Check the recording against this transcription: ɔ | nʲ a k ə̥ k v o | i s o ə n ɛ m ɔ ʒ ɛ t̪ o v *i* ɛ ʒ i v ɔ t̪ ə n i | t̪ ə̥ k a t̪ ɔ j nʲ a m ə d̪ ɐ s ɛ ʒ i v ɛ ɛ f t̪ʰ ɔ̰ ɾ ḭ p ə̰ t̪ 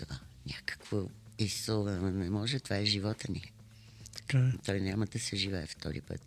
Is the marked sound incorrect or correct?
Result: incorrect